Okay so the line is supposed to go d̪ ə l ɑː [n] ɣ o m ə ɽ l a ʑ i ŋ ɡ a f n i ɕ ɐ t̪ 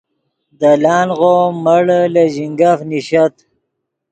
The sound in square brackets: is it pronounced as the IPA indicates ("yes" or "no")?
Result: yes